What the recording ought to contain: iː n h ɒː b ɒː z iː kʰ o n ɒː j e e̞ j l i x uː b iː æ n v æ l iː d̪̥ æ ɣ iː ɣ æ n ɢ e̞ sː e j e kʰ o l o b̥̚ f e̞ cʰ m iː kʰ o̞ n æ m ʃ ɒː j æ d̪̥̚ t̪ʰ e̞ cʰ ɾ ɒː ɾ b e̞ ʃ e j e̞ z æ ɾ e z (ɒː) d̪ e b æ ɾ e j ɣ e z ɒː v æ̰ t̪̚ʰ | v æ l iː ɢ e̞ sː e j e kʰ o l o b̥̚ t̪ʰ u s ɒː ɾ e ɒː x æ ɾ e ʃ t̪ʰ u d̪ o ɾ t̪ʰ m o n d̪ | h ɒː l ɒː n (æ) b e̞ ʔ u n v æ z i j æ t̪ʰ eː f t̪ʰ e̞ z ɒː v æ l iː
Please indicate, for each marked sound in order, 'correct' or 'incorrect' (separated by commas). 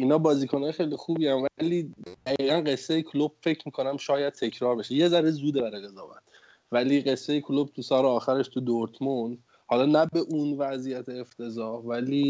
incorrect, correct